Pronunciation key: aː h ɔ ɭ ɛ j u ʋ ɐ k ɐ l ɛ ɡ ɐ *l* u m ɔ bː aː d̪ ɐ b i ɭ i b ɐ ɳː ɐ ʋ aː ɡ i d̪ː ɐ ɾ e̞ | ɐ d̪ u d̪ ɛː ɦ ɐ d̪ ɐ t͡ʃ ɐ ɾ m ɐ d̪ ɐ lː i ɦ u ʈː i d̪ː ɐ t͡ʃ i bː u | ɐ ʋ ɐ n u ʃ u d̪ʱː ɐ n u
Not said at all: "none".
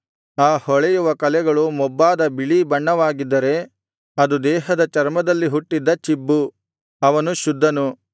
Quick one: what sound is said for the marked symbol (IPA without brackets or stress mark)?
ɭ